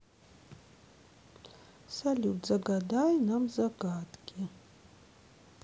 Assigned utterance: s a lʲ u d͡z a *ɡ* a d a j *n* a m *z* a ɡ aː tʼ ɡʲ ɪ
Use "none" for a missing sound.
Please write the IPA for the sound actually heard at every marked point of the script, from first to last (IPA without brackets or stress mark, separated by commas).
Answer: ɡ, n, z